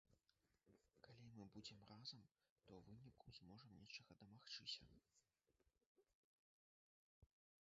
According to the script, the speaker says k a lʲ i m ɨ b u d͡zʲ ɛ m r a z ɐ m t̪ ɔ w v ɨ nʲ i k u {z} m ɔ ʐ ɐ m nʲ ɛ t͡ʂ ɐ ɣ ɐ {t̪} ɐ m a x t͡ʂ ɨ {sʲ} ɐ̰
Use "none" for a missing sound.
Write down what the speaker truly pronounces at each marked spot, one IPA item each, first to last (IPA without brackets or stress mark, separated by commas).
z, d̪, sʲ